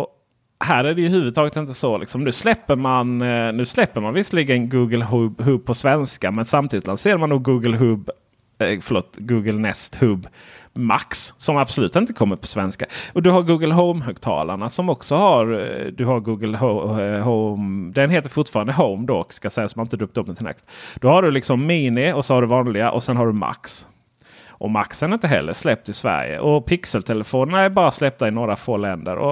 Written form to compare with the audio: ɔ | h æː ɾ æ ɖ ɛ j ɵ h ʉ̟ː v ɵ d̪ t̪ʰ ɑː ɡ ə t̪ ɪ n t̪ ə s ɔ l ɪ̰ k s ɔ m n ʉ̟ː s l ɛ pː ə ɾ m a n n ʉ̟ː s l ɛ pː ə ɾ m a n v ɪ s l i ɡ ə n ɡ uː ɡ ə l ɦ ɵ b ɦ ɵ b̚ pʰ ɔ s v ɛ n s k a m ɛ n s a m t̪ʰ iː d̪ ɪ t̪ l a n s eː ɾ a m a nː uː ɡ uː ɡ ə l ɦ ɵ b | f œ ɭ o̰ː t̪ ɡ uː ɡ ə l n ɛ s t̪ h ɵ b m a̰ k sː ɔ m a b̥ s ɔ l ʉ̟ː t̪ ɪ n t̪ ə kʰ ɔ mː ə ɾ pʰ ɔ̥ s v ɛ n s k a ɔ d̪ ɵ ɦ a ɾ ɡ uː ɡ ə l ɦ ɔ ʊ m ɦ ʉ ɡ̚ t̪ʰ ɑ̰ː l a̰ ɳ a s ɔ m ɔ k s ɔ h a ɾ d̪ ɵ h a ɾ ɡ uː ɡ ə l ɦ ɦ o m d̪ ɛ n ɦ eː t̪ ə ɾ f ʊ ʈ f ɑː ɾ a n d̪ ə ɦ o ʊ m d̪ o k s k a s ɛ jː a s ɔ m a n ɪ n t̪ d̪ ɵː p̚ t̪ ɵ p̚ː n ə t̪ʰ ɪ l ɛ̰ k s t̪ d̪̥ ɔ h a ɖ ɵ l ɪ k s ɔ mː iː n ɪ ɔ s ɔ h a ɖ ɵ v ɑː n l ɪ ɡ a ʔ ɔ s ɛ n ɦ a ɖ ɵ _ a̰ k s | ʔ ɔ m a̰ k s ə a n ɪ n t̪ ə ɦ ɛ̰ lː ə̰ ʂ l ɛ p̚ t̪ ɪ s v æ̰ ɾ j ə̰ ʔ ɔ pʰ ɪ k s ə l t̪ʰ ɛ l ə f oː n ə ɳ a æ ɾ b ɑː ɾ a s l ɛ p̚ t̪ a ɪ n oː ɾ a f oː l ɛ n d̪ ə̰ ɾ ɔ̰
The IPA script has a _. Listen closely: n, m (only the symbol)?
m